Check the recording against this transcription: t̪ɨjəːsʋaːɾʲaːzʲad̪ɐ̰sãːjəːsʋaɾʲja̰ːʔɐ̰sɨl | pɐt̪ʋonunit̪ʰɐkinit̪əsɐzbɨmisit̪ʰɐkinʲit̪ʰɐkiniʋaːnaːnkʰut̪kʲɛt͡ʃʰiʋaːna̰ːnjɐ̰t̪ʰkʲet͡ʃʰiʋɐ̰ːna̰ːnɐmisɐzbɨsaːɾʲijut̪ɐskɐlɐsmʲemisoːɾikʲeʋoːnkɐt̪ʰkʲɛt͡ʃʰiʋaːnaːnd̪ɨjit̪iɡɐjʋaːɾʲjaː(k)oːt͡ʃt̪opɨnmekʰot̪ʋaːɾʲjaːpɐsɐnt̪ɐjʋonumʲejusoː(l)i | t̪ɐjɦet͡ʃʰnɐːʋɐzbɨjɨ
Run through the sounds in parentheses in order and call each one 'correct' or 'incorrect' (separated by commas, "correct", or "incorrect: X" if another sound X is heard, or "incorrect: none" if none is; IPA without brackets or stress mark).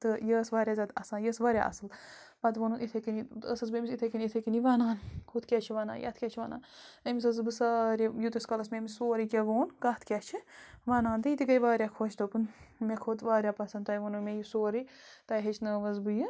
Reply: incorrect: kʰ, incorrect: ɾ